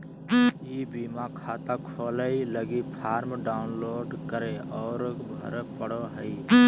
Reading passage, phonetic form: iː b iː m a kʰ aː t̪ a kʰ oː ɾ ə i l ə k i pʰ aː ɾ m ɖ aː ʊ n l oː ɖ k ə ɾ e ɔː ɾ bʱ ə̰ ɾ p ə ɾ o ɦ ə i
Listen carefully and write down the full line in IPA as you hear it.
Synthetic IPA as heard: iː b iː m a kʰ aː t̪ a kʰ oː l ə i l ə ɡ i pʰ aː ɾ m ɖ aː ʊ n l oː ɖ k ə ɾ e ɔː ɾ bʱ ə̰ ɾ p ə ɽ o ɦ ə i